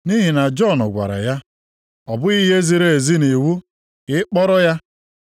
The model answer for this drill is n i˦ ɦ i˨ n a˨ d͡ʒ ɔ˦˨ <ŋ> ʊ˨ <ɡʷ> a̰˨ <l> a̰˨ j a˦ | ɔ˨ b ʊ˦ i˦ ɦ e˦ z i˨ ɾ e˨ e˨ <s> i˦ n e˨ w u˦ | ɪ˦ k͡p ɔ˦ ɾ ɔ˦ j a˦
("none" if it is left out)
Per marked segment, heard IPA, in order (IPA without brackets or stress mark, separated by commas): n, ɡʷ, ɾ, z